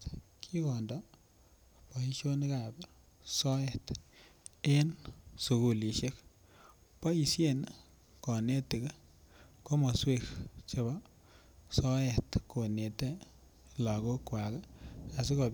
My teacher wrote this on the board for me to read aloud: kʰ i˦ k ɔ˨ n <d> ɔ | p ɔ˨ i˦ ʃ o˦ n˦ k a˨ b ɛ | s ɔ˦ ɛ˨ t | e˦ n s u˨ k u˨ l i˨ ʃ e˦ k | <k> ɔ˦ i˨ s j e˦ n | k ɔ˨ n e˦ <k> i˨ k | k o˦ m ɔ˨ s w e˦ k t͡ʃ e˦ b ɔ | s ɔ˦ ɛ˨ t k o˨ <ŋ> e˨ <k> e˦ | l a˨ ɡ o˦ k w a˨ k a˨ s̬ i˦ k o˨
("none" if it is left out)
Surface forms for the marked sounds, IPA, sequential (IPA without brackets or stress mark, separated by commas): d, p, t, n, t